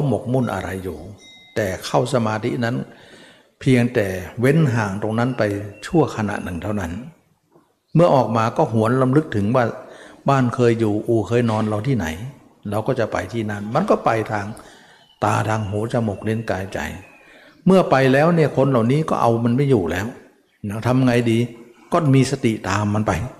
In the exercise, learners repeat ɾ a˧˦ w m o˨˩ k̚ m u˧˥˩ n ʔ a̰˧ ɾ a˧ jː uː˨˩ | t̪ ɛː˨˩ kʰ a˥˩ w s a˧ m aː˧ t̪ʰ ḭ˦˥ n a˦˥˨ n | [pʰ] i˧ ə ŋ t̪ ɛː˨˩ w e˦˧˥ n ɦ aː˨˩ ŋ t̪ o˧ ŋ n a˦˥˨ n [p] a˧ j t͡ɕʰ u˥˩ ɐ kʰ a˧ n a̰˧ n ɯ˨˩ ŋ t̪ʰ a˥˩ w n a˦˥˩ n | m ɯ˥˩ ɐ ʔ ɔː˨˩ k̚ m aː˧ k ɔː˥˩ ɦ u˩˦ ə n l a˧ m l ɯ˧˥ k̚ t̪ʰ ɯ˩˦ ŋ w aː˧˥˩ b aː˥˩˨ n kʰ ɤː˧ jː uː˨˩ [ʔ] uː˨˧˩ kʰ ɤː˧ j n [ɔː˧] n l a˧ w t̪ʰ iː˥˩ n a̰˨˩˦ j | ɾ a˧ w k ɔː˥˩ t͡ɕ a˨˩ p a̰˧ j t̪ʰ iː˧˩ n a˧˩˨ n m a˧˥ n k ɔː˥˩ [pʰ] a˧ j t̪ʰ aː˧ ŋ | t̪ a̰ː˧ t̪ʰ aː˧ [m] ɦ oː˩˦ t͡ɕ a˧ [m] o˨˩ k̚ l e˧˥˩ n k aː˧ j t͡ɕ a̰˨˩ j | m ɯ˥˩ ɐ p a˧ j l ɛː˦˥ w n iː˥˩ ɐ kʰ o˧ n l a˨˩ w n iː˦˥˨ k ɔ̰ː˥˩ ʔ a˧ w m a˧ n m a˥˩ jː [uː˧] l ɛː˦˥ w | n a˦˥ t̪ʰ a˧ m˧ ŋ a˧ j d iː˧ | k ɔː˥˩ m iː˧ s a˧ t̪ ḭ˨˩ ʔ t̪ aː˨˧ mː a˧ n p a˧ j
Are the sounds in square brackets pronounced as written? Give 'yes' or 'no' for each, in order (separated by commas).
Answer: yes, yes, yes, yes, no, no, yes, no